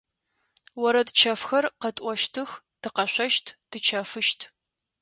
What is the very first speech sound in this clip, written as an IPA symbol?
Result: w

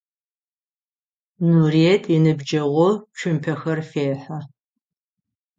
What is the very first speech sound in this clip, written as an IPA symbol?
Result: n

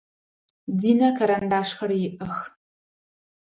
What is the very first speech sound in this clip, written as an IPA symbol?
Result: d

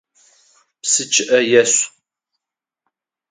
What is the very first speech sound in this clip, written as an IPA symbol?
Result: p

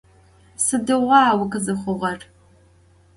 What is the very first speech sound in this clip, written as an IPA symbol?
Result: s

